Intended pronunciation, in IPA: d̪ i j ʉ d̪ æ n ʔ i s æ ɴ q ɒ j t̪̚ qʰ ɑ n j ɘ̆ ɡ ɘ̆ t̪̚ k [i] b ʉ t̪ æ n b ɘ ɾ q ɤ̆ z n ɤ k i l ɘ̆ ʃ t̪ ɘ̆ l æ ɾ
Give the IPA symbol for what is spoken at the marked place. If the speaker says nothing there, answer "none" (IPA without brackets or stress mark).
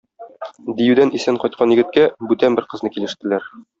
æ